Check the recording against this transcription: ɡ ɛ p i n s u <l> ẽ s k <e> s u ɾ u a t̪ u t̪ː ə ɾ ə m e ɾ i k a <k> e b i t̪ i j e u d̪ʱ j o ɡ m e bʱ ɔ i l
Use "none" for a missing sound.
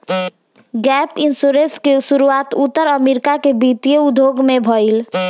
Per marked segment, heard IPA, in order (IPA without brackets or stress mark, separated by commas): ɾ, e, k